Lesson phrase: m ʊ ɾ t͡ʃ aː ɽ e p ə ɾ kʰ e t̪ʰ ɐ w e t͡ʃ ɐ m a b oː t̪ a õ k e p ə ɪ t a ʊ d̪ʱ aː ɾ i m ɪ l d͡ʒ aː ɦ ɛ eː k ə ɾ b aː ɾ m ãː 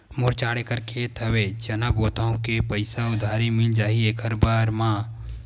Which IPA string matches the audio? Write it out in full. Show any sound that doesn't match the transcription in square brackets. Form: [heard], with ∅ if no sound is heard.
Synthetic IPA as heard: m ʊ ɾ t͡ʃ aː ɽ e [k] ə ɾ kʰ e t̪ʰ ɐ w e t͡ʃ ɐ [n] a b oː t̪ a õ k e p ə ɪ [s] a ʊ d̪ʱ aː ɾ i m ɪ l d͡ʒ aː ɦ [i] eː k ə ɾ b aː ɾ m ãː